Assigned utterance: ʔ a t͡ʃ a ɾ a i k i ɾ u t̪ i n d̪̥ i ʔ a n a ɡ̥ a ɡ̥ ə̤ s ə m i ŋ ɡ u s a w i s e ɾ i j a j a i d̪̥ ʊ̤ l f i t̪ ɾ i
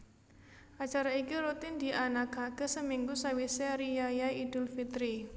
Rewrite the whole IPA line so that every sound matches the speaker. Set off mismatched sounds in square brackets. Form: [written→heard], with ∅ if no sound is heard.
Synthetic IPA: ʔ a t͡ʃ a ɾ a i k i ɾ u t̪ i n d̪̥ i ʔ a n a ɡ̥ a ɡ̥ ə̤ s ə m i ŋ ɡ u s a w i s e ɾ i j a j a i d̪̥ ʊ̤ l f i t̪ ɾ i